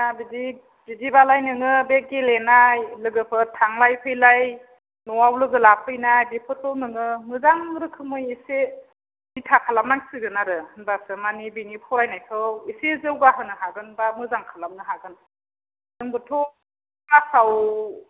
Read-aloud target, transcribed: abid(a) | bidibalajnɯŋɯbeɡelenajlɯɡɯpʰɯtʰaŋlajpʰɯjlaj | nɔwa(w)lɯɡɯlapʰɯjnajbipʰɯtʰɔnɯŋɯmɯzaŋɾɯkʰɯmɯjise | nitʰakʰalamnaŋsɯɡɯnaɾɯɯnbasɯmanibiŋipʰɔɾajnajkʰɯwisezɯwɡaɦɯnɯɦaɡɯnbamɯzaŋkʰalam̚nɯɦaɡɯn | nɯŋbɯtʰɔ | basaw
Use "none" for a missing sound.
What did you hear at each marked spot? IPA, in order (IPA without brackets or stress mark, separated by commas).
i, w